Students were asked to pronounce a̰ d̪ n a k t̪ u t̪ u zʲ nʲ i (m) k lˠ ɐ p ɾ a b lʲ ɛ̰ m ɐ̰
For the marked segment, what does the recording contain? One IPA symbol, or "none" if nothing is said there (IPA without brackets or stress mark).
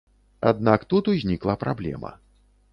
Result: none